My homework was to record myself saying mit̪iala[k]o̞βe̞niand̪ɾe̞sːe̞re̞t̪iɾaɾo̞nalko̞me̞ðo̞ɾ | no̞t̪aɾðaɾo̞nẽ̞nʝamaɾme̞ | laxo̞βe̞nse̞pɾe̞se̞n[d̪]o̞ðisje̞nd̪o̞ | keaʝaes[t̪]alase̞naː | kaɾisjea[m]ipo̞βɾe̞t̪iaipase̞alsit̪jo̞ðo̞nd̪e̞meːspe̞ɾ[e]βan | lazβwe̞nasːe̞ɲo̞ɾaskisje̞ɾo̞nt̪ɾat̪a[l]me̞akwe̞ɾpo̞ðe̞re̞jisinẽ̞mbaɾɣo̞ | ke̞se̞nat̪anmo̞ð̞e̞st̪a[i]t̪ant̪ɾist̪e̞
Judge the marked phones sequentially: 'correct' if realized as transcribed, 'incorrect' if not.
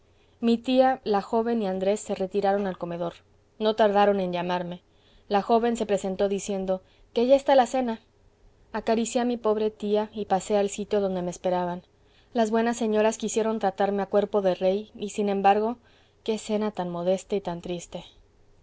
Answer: incorrect: x, incorrect: t̪, correct, correct, incorrect: a, incorrect: ɾ, correct

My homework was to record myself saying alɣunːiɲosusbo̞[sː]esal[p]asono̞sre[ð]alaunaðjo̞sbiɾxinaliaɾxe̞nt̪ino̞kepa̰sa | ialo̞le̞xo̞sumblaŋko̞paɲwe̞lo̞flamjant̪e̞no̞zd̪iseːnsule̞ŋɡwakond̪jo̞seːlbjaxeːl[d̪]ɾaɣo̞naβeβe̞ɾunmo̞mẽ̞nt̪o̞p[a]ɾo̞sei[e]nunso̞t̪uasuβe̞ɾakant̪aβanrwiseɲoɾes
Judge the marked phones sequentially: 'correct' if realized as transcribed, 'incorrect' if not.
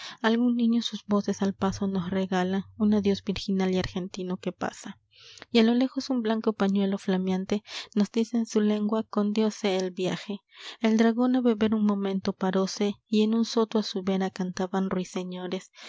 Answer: incorrect: s, correct, incorrect: ɣ, correct, correct, correct

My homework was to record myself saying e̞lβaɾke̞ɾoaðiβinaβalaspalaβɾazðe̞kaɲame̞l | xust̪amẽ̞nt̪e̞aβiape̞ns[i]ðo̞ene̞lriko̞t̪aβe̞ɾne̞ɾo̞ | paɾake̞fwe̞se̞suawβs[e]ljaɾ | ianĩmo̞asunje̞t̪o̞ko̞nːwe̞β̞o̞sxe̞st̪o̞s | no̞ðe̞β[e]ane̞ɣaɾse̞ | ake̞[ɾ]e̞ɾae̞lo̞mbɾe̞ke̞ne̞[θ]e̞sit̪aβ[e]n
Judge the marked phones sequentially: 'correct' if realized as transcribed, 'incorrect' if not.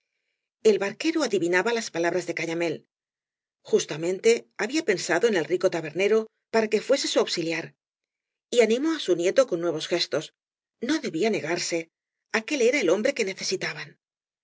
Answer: incorrect: a, incorrect: i, incorrect: i, incorrect: l, correct, incorrect: a

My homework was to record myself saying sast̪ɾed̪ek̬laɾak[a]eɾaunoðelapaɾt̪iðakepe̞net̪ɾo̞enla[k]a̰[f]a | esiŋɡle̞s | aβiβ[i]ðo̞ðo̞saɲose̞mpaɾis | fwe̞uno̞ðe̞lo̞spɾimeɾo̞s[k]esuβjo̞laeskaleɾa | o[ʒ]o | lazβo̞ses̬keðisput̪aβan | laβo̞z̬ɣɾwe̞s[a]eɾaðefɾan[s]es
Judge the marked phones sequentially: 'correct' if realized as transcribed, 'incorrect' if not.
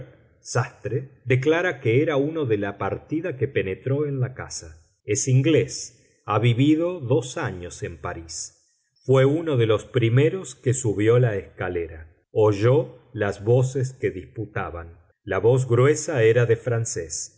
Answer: incorrect: e, correct, incorrect: s, correct, correct, correct, correct, correct

